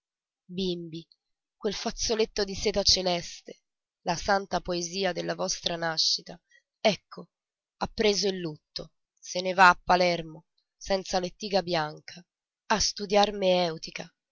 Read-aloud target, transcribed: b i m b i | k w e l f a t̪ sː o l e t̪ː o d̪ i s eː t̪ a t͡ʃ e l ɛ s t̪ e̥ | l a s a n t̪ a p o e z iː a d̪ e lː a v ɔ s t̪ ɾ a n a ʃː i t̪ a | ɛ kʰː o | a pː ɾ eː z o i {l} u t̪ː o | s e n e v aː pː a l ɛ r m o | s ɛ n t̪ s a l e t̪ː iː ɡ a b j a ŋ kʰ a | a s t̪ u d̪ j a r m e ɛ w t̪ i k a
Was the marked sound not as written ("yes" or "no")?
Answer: yes